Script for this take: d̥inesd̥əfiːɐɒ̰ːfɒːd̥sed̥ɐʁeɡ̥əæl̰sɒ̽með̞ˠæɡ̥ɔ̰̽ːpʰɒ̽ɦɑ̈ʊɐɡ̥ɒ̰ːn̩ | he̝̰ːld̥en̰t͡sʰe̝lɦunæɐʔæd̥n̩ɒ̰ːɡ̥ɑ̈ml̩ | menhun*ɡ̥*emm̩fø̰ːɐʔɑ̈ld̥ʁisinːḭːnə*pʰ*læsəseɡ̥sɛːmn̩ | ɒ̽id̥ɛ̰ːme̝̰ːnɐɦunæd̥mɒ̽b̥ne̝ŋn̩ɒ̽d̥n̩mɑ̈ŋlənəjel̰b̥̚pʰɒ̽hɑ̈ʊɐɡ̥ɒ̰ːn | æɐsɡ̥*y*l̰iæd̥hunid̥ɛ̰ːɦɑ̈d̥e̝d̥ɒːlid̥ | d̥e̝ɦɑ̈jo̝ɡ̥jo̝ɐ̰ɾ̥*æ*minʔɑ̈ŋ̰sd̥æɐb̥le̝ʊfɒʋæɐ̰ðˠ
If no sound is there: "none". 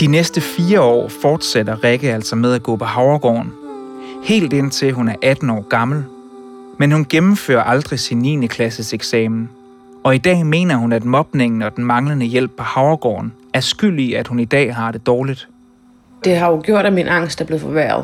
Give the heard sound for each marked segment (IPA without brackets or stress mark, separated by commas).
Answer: ɡ̥, kʰ, y, æ